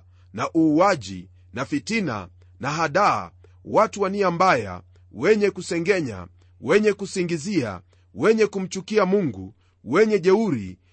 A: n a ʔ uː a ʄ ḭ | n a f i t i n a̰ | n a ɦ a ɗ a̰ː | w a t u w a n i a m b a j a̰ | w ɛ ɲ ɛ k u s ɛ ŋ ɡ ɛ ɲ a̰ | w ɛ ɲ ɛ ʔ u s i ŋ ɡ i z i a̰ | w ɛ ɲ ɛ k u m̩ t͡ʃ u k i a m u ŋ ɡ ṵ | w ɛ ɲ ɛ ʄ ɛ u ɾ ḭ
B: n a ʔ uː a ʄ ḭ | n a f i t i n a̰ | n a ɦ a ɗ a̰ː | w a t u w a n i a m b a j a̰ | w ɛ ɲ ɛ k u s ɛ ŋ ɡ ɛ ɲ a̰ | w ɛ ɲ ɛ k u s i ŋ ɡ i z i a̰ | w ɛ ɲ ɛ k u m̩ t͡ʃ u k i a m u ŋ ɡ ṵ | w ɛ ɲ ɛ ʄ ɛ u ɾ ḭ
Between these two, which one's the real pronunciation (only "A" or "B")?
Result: B